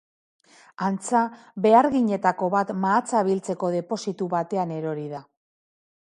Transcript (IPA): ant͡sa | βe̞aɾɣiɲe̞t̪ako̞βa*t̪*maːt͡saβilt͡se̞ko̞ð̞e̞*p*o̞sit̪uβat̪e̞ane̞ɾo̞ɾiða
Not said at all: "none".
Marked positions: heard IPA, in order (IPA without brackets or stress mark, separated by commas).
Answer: t̪, p